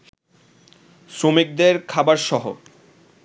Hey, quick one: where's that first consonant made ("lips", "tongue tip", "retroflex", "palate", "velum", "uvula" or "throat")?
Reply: tongue tip